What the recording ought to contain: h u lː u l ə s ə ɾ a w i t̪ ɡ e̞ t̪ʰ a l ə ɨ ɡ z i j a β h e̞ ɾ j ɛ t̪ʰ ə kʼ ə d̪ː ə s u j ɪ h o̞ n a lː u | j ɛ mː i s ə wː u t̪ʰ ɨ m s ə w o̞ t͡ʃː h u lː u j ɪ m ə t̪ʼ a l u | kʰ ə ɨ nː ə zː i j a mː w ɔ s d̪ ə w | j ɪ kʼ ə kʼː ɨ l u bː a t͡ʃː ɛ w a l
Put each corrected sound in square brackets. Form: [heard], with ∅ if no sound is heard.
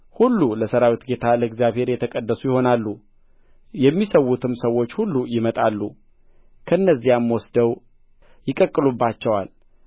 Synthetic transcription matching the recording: h u lː u l ə s ə ɾ a w i t̪ ɡ e̞ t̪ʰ a l ə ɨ ɡ z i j a β h e̞ ɾ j ɛ t̪ʰ ə kʼ ə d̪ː ə s u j ɪ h o̞ n a lː u | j ɛ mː i s ə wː u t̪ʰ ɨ m s ə w o̞ t͡ʃː h u lː u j ɪ m ə t̪ʼ a [lː] u | kʰ ə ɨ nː ə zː i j a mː w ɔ s d̪ ə w | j ɪ kʼ ə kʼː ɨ l u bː a t͡ʃː ɛ w a l